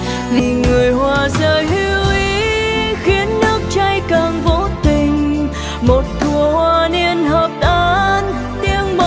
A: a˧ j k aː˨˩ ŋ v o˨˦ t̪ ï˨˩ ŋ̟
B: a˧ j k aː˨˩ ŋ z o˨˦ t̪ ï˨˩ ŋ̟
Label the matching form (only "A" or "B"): A